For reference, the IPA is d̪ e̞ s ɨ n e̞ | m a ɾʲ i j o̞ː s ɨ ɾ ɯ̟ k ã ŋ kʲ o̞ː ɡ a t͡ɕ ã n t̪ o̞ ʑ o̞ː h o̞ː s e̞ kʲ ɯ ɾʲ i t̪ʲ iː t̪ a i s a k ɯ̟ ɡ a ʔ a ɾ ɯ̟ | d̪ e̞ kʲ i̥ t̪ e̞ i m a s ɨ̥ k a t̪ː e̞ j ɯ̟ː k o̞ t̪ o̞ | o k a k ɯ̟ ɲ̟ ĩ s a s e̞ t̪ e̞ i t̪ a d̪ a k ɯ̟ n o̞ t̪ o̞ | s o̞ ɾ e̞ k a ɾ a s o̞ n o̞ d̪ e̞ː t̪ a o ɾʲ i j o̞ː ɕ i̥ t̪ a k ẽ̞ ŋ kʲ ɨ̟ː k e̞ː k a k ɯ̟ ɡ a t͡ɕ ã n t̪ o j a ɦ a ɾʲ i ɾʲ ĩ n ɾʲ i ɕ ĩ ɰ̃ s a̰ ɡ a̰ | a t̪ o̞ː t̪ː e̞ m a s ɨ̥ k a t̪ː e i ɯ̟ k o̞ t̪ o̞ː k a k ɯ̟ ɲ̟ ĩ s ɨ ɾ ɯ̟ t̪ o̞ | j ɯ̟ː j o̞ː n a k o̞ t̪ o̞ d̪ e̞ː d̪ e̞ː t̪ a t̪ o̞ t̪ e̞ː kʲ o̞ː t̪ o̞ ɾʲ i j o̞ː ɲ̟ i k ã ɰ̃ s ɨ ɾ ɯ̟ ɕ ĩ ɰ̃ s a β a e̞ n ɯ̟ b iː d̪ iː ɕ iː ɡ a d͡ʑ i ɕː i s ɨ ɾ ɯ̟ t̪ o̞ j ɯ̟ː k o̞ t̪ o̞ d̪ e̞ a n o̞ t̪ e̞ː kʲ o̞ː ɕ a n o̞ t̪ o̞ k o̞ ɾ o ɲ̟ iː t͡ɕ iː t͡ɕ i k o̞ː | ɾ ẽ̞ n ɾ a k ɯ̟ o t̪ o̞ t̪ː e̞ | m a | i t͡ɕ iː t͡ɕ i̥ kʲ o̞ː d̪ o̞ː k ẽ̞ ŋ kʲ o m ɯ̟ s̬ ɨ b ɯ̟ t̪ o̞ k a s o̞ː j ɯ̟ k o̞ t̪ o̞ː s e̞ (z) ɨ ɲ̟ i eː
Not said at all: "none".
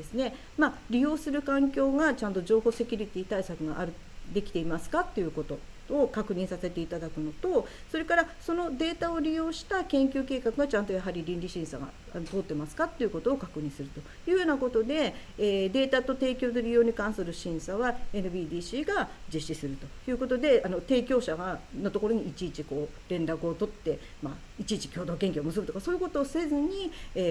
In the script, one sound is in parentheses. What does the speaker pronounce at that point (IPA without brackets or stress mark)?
z